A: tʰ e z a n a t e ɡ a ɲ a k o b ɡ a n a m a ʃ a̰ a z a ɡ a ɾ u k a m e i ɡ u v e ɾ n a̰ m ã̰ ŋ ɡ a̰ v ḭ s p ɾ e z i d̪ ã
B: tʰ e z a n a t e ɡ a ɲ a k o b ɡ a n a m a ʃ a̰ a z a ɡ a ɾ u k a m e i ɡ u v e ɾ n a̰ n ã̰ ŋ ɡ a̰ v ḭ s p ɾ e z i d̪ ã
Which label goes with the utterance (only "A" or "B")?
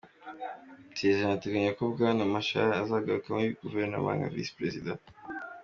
A